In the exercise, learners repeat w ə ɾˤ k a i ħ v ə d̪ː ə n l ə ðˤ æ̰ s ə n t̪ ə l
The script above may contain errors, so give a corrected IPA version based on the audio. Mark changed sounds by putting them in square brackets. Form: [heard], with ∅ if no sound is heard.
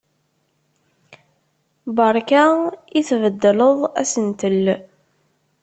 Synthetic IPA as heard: [b] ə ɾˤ k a i [θ] v ə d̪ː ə [∅] l ə ðˤ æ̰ s ə n t̪ ə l